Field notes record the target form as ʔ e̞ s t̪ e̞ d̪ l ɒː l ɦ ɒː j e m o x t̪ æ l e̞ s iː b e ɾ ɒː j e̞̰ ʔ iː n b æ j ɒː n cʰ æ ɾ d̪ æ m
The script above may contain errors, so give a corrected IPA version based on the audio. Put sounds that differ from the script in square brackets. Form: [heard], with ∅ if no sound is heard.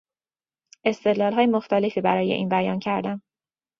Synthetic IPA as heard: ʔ e̞ s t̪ e̞ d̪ l ɒː l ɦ ɒː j e m o x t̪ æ l e̞ [f] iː b [æ] ɾ ɒː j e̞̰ ʔ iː n b æ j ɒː n cʰ æ ɾ d̪ æ m